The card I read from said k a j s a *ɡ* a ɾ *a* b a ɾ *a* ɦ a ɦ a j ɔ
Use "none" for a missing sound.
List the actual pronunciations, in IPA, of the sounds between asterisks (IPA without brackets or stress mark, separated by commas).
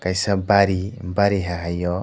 b, i, i